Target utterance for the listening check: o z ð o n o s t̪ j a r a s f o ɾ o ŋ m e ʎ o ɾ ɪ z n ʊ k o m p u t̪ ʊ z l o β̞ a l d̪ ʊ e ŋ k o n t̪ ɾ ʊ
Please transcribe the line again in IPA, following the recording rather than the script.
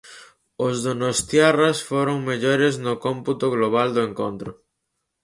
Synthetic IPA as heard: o z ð o n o s t̪ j a r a s f o ɾ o ŋ m e ʎ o ɾ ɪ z n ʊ k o m p u t̪ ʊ ɣ l o β̞ a l d̪ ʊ e ŋ k o n t̪ ɾ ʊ